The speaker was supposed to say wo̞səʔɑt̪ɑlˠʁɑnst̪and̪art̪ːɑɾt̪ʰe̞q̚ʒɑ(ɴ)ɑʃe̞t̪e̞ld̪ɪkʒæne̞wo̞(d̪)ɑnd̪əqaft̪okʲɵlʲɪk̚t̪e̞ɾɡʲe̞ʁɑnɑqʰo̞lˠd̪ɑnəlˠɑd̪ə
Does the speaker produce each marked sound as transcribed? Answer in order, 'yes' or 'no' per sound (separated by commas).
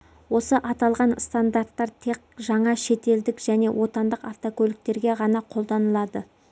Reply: yes, no